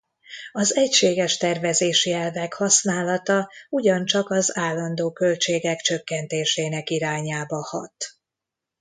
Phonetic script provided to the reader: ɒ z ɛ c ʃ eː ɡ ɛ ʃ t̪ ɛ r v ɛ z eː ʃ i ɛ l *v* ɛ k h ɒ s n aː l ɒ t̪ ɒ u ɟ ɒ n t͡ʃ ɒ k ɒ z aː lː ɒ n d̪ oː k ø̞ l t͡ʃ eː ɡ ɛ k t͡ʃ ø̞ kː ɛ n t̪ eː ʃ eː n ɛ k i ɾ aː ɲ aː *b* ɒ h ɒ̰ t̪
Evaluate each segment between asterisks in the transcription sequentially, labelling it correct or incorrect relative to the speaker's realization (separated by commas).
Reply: correct, correct